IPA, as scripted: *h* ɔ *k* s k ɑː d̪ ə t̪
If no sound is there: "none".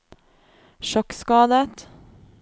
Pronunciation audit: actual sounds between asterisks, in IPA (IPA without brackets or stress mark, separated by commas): ʃ, k